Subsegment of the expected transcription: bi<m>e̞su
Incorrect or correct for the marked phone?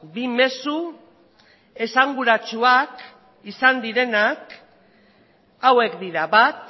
correct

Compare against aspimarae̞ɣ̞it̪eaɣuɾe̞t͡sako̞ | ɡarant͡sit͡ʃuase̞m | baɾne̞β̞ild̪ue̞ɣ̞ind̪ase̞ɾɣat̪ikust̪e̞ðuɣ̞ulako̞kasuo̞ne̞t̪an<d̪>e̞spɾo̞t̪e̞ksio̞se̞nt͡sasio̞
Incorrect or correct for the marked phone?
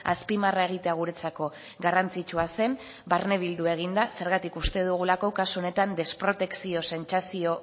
correct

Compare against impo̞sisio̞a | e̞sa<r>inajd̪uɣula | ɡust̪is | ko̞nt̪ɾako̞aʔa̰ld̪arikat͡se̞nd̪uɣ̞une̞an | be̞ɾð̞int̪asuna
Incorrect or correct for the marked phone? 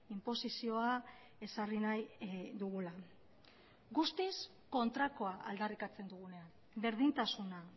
correct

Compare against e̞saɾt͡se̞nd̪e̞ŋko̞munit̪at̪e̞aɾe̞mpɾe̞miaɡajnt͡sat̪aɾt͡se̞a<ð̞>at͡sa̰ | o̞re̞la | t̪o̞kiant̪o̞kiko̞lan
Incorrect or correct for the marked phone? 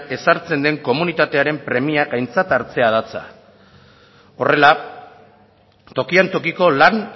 correct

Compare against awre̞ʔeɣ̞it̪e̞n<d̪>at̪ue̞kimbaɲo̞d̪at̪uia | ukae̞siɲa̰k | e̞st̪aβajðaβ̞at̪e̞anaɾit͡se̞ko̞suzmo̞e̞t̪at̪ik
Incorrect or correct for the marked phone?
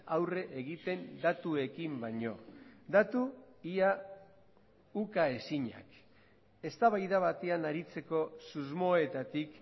correct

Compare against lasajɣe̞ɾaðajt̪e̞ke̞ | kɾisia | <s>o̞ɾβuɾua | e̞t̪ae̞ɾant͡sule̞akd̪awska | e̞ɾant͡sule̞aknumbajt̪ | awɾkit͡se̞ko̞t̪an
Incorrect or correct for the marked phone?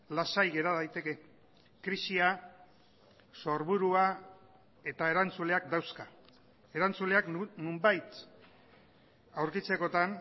correct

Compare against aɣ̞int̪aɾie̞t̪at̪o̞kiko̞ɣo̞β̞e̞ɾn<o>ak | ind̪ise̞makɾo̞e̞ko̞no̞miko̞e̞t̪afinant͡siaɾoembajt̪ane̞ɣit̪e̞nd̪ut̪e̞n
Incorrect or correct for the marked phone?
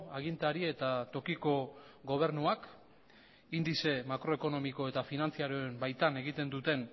incorrect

